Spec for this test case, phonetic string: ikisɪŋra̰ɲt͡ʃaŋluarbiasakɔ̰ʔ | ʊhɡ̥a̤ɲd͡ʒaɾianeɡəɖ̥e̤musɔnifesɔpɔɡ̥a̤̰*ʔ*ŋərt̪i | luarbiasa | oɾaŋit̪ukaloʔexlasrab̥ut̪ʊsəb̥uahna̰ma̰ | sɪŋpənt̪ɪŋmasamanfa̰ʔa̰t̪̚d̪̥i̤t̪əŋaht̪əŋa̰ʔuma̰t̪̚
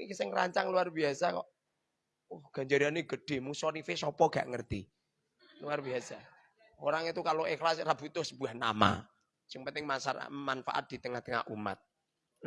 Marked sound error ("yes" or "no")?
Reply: no